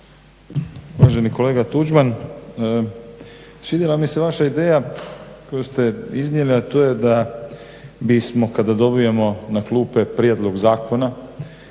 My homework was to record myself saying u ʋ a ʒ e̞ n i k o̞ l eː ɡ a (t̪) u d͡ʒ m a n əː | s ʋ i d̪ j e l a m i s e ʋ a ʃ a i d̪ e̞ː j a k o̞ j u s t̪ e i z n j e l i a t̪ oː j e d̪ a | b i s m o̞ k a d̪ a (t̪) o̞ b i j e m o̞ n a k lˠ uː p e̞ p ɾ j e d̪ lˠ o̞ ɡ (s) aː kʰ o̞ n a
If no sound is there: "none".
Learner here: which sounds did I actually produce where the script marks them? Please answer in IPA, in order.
t̪, d̪, z

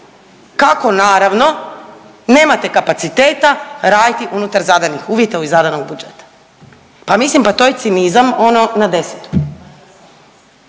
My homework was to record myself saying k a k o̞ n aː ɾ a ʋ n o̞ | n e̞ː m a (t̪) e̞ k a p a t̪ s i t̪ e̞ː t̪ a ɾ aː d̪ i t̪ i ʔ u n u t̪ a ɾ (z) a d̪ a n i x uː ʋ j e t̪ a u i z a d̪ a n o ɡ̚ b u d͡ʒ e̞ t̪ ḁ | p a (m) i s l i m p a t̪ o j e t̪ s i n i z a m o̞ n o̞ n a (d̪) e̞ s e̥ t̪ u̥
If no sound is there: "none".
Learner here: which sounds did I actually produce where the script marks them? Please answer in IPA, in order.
t̪, z, m, d̪

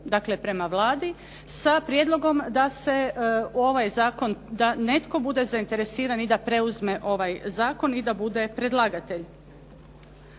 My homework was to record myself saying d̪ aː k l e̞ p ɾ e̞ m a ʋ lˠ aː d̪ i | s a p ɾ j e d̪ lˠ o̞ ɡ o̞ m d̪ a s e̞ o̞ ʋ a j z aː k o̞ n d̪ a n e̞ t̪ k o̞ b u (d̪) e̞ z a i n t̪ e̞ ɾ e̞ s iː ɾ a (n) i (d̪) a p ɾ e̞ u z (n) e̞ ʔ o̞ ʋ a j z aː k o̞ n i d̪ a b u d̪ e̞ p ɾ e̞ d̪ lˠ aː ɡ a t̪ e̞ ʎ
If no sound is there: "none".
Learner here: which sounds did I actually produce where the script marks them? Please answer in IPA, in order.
d̪, n, d̪, m

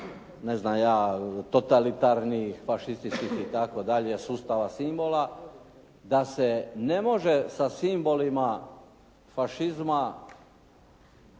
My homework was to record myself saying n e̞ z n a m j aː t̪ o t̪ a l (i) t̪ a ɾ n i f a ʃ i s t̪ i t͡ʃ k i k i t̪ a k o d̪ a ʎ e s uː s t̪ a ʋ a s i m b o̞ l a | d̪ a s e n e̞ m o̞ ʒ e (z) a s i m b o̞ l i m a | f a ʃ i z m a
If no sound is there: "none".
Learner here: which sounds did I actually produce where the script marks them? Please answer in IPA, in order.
i, s

